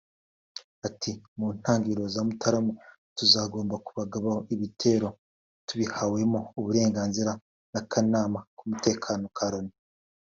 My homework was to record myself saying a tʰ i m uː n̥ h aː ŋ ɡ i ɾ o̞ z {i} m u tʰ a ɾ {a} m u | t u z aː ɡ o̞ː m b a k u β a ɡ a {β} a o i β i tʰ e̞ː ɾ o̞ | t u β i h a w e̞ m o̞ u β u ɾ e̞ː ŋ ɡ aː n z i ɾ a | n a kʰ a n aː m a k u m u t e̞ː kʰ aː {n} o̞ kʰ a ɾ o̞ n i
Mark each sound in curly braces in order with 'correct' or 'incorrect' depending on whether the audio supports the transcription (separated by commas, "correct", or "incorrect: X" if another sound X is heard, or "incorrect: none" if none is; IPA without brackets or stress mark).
incorrect: a, correct, correct, correct